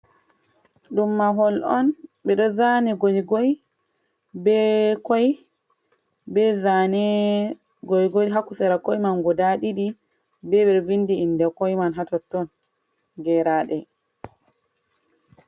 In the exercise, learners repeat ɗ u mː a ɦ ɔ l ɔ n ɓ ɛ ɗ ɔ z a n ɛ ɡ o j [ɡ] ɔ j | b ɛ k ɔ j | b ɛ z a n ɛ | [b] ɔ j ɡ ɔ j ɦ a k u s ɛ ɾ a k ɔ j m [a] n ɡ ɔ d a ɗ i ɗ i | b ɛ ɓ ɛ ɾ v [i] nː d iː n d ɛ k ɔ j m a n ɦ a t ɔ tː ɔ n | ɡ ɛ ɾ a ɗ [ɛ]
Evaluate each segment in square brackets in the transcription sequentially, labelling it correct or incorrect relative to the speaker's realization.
correct, incorrect, correct, correct, correct

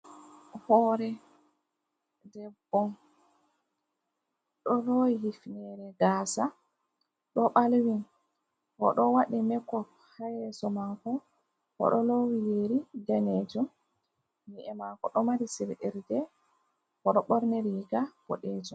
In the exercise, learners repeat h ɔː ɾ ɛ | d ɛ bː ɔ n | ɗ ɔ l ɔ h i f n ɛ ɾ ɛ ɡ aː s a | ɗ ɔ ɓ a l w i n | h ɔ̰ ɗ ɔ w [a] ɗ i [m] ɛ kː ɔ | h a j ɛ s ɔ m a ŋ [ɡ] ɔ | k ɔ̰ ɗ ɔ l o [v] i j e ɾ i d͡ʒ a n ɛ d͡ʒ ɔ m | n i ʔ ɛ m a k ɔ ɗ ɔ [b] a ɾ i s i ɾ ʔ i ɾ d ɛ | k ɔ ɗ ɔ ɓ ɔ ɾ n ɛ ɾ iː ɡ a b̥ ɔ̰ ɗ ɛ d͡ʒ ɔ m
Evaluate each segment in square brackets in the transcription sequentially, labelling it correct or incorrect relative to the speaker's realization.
correct, correct, incorrect, incorrect, incorrect

